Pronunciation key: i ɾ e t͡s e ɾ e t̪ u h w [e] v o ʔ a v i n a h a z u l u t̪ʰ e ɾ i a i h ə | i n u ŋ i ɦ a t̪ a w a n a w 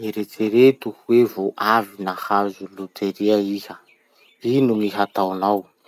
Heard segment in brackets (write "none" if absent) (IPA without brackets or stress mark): e